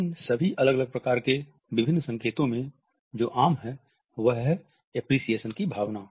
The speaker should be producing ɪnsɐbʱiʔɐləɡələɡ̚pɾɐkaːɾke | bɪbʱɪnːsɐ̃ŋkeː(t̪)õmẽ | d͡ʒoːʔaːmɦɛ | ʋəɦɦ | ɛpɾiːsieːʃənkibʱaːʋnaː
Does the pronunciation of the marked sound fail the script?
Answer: no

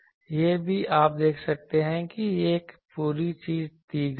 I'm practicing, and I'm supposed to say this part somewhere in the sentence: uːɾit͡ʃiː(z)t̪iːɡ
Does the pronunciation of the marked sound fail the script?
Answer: no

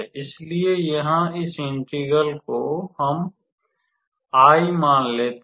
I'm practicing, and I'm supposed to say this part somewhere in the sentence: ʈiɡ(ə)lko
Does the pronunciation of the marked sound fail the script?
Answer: no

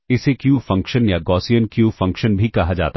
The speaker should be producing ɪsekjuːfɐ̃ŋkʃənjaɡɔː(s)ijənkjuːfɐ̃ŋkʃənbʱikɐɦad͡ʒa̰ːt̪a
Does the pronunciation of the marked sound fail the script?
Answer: no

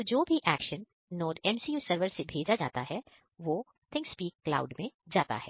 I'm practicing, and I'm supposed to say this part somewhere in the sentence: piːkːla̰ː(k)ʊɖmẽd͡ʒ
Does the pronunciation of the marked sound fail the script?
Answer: yes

